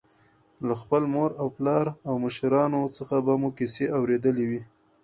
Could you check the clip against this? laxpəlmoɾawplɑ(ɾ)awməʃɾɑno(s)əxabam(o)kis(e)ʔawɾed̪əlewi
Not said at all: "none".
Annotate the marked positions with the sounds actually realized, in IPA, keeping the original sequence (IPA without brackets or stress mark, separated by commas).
ɾ, t͡s, u, e